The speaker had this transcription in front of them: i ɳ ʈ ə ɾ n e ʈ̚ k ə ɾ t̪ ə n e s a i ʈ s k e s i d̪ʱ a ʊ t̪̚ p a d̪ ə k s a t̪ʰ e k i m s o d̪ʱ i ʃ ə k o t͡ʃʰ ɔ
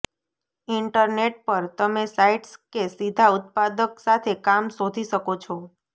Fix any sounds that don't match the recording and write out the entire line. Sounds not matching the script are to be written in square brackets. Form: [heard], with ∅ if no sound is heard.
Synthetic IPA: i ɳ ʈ ə ɾ n e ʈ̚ [p] ə ɾ t̪ ə [m] e s a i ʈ s k e s i d̪ʱ a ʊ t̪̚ p a d̪ ə k s a t̪ʰ e k [a] m s o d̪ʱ i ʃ ə k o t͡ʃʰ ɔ